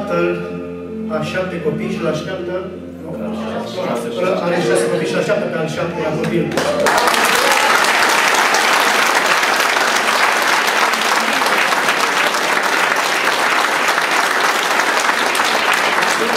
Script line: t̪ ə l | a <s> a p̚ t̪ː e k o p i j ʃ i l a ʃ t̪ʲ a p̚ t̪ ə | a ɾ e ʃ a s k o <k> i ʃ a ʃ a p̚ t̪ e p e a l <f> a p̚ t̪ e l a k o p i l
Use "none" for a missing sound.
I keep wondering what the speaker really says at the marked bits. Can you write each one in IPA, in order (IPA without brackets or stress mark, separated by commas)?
ʃ, p, ʃ